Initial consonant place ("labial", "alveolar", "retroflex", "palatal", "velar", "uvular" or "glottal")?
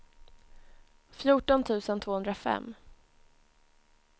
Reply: labial